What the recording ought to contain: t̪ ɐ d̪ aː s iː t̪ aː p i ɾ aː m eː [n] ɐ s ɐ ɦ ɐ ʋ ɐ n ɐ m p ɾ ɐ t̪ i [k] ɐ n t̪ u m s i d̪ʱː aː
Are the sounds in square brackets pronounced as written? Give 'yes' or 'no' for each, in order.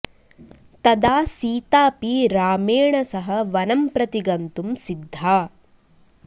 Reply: no, no

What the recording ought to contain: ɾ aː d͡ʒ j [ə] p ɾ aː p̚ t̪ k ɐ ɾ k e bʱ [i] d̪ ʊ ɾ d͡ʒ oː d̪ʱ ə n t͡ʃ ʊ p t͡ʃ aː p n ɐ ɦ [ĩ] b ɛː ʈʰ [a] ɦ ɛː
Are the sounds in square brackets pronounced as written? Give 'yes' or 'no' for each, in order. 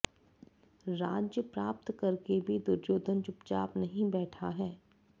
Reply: yes, yes, yes, yes

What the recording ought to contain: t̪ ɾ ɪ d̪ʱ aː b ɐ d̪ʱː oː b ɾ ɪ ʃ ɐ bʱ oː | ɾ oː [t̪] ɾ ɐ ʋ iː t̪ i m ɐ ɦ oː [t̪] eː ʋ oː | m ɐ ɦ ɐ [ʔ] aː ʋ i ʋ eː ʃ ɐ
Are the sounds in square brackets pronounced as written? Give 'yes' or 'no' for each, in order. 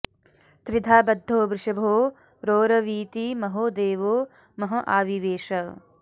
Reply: no, no, yes

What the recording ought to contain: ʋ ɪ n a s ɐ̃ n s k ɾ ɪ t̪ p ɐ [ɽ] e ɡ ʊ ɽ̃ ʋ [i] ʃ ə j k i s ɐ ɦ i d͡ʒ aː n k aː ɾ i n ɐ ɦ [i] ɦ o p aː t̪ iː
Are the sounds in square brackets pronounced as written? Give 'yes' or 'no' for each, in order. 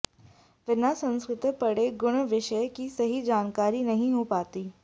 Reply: yes, no, no

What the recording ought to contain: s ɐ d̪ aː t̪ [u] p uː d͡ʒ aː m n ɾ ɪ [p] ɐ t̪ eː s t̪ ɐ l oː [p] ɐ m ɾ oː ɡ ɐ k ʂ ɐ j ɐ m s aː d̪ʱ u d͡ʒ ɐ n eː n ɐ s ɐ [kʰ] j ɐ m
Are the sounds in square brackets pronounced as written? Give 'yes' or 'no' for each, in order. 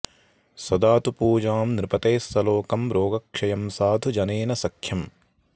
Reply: yes, yes, no, yes

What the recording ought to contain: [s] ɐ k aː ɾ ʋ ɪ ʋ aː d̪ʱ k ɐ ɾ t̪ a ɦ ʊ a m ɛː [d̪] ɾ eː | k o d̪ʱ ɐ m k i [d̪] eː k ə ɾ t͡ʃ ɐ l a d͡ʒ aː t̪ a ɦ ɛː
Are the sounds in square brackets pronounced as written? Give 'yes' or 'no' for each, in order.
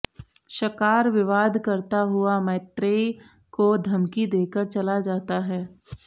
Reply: no, no, yes

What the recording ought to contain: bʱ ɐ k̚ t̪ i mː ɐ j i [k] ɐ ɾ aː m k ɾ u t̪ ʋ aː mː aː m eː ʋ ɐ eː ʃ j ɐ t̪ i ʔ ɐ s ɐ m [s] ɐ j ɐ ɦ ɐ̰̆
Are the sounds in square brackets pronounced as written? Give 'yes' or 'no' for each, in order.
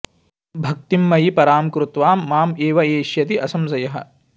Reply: no, yes

